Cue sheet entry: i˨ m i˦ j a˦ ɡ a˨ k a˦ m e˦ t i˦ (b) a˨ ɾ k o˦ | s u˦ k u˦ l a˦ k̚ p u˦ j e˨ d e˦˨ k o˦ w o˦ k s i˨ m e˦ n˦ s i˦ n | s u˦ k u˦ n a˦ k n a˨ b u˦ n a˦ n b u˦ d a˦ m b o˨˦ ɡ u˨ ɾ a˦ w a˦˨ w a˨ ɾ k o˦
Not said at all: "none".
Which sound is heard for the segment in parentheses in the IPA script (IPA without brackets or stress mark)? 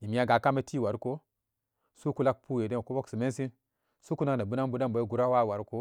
w